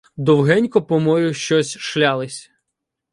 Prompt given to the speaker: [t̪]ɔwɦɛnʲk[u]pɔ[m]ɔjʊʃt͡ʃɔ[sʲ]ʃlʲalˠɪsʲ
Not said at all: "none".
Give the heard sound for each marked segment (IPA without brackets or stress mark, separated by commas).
d̪, ɔ, m, sʲ